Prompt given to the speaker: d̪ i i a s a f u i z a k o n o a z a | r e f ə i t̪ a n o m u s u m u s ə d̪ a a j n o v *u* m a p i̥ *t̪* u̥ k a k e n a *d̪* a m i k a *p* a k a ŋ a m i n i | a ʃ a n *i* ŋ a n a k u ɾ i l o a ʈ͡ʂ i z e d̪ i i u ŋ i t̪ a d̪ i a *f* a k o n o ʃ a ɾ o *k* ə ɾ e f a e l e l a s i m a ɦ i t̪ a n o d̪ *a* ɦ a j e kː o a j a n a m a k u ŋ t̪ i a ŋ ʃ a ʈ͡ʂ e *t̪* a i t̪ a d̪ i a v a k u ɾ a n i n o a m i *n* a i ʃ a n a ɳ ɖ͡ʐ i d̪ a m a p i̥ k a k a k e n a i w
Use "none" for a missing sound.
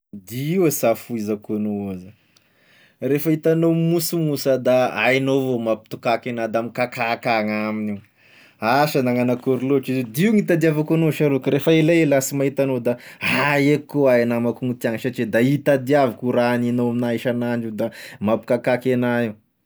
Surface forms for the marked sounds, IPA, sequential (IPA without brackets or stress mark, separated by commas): o, t̪, d̪, k, a, v, k, a, d̪, n